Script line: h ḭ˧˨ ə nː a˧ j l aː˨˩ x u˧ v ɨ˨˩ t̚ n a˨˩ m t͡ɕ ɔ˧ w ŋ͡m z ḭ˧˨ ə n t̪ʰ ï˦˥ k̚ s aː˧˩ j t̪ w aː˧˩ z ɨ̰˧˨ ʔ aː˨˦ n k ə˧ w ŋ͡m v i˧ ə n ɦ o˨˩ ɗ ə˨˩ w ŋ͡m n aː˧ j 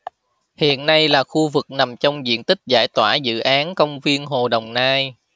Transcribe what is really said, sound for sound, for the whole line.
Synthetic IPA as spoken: h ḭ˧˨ ə nː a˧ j l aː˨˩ x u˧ v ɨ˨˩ k̚ n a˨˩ m t͡ɕ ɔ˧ w ŋ͡m z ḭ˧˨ ə n t̪ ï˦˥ k̚ z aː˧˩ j t̪ w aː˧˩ z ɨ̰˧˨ ʔ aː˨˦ n k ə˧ w ŋ͡m v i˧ ə n ɦ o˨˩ ɗ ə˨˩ w ŋ͡m n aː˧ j